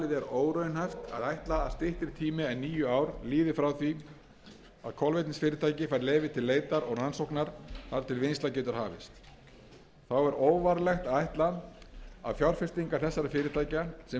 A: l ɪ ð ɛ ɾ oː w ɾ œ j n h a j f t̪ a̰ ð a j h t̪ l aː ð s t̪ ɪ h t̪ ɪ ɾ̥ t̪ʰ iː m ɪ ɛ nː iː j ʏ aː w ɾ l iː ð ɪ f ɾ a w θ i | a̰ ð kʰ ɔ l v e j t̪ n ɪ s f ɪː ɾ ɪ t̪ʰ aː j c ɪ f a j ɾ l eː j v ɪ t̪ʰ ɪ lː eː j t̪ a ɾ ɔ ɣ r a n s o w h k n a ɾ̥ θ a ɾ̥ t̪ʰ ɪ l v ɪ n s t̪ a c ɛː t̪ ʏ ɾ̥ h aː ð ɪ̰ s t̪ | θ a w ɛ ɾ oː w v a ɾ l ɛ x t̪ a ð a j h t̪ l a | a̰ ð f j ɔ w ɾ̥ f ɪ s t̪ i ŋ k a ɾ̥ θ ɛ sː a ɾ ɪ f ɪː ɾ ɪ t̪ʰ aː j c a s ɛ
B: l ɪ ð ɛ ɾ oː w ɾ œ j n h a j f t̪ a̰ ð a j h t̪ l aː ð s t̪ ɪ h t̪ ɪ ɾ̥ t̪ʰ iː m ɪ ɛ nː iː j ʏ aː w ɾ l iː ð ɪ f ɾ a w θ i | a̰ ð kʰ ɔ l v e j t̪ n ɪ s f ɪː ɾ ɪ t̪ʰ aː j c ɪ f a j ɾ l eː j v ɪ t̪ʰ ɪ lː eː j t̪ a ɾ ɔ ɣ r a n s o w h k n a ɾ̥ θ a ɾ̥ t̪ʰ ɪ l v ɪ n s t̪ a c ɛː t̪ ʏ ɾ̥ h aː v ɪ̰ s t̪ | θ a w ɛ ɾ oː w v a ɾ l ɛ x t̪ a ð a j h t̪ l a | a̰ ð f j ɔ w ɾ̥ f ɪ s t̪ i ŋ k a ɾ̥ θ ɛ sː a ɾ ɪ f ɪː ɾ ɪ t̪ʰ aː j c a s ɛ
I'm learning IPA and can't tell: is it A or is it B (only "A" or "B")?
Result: B